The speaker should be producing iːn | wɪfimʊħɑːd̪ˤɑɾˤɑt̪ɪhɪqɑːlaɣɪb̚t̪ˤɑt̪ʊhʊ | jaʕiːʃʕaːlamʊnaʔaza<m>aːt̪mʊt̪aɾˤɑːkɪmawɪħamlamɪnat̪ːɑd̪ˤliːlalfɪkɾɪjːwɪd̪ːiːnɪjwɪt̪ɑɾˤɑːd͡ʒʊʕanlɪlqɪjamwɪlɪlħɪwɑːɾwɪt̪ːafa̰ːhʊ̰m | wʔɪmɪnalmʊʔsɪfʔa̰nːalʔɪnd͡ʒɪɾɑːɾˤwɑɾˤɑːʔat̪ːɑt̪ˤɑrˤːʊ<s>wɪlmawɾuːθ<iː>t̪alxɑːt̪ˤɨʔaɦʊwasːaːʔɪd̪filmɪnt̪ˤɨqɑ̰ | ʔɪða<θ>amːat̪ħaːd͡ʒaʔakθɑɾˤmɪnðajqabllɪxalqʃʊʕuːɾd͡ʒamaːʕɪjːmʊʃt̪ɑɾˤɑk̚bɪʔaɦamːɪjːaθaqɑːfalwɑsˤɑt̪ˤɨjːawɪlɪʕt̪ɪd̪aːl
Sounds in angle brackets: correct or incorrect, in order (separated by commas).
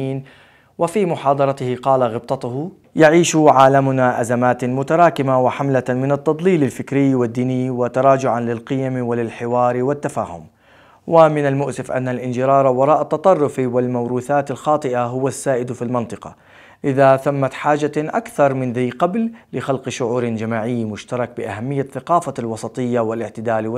correct, incorrect, incorrect, correct